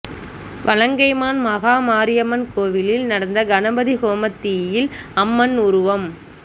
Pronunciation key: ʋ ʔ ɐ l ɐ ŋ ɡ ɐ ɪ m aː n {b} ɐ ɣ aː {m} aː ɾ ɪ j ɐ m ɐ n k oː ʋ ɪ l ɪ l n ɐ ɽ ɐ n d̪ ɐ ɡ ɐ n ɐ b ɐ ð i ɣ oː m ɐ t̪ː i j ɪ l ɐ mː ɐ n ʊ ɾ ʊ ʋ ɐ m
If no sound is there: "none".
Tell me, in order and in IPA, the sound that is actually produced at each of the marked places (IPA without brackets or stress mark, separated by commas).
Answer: m, m